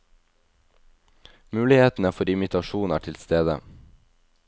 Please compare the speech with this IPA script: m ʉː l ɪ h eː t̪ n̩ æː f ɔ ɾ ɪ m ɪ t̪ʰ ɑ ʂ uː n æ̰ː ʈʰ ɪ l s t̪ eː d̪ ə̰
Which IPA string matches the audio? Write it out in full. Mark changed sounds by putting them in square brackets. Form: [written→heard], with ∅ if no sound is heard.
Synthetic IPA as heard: m ʉː l ɪ h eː t̪ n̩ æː f ɔ ɾ ɪ m ɪ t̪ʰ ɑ [ʂ→ʃ] uː n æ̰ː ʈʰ ɪ l s t̪ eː d̪ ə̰